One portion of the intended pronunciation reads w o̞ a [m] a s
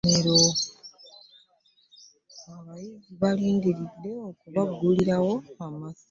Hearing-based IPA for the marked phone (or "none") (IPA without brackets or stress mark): m